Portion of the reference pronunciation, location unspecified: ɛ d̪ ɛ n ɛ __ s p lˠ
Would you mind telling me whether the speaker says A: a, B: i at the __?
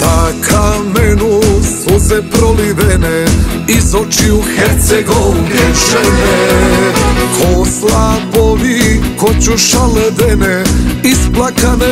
B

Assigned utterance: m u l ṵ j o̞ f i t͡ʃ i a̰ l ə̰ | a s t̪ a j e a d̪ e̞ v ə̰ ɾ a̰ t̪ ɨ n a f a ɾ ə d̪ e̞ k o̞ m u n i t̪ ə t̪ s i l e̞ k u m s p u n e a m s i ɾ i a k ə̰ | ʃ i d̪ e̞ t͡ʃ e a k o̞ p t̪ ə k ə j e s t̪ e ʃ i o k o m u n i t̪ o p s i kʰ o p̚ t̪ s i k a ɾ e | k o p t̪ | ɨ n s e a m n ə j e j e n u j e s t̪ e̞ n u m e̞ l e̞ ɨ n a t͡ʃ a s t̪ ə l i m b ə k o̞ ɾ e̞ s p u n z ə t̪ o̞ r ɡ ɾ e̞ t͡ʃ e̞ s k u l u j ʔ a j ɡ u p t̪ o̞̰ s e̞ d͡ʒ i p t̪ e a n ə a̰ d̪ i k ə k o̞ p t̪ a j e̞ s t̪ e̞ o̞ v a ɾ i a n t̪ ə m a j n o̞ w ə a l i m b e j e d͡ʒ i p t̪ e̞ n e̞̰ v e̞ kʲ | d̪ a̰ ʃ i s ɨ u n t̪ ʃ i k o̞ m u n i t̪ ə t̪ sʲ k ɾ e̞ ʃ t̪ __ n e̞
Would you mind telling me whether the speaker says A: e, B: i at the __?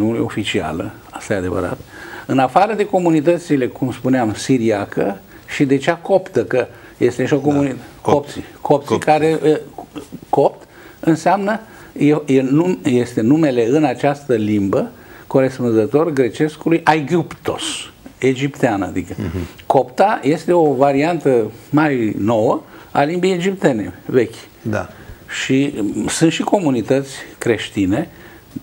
B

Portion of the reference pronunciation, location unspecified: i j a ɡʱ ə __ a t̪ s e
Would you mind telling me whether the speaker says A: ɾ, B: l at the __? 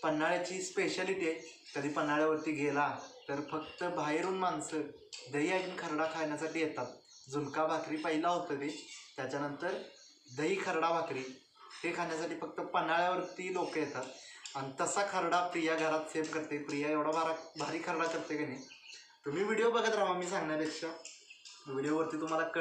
A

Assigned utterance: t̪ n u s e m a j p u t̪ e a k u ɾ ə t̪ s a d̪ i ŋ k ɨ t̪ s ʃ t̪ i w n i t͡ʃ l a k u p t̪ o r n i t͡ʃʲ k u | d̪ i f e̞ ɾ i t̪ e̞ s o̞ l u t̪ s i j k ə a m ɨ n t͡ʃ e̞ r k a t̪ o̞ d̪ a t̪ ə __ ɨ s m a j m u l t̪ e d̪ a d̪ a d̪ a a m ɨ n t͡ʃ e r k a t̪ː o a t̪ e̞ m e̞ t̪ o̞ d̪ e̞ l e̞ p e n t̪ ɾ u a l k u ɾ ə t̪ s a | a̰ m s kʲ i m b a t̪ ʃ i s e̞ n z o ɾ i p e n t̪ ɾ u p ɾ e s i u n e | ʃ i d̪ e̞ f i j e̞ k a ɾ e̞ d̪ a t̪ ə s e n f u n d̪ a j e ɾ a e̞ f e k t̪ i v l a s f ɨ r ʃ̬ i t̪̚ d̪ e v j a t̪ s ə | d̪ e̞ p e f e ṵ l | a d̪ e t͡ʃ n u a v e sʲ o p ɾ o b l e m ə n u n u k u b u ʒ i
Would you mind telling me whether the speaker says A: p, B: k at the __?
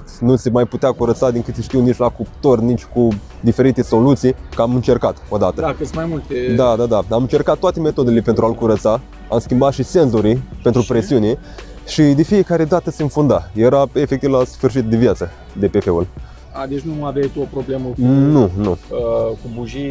B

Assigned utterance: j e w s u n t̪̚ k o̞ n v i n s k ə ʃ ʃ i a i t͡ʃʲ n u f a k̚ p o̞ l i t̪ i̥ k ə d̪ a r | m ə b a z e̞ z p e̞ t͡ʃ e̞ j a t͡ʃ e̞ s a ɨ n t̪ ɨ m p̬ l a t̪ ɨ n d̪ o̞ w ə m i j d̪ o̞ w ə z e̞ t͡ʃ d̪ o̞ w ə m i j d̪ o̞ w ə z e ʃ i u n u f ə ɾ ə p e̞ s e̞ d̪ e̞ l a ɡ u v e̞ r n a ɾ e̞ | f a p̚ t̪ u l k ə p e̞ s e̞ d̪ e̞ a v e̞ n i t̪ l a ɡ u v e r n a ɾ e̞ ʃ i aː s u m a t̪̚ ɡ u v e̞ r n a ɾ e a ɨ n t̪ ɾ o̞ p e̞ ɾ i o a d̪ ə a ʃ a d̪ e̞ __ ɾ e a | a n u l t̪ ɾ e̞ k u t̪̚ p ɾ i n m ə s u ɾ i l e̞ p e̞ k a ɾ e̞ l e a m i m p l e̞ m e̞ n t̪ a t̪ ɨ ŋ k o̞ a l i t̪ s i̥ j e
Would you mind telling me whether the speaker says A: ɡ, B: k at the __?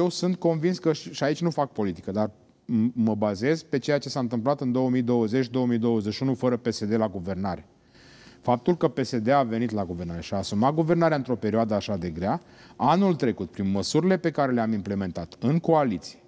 A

